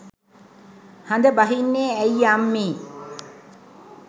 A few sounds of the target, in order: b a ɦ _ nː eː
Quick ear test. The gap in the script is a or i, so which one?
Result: i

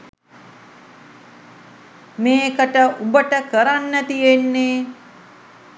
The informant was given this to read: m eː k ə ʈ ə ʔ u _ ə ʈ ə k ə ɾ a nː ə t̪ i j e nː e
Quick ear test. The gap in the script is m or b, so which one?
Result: b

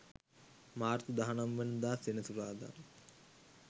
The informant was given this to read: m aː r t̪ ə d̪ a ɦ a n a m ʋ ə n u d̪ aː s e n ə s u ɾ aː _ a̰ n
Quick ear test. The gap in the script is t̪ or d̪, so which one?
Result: d̪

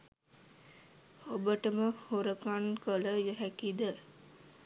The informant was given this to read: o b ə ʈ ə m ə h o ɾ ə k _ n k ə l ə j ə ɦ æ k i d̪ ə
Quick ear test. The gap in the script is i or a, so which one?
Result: a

